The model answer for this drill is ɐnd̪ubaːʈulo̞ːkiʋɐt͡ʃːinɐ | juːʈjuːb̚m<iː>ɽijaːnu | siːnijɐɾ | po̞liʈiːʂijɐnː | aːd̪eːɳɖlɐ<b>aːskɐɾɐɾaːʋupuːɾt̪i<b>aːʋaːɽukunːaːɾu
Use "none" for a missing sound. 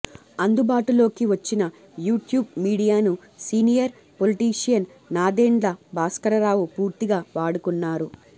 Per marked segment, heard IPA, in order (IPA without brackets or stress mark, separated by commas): iː, b, ɡ